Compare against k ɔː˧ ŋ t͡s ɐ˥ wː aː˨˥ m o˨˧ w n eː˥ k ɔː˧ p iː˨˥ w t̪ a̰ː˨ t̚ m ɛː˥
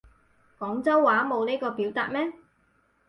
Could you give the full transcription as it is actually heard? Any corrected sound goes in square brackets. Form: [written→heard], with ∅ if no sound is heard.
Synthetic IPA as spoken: k [ɔː˧→ɔː˨˥] ŋ t͡s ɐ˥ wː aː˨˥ m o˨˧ w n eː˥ k ɔː˧ p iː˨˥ w t̪ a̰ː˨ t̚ m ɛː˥